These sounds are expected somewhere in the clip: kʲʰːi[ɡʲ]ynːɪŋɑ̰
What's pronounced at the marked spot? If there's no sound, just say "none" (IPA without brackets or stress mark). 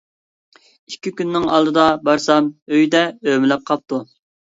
kʲ